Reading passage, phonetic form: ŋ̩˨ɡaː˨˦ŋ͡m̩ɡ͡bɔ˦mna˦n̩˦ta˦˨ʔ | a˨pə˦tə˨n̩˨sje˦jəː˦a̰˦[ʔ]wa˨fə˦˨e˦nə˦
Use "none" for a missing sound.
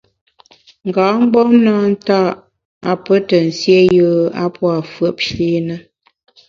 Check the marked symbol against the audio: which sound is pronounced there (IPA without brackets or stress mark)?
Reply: p